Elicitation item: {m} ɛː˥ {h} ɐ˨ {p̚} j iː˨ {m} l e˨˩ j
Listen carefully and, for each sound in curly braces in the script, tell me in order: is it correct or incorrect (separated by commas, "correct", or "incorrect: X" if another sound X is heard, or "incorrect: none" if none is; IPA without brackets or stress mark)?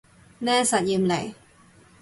incorrect: n, incorrect: s, incorrect: t̚, correct